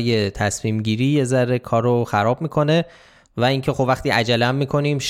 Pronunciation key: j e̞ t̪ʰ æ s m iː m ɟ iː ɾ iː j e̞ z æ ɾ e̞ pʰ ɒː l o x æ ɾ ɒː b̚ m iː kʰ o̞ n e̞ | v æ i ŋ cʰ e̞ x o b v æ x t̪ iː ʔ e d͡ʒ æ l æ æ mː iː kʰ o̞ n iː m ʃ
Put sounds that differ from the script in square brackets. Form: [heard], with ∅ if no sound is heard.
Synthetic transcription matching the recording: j e̞ t̪ʰ æ s m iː m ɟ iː ɾ iː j e̞ z æ ɾ e̞ [kʰ] ɒː [ɾ] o x æ ɾ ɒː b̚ m iː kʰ o̞ n e̞ | v æ i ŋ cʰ e̞ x o b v æ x t̪ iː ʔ [æ] d͡ʒ æ l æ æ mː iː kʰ o̞ n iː m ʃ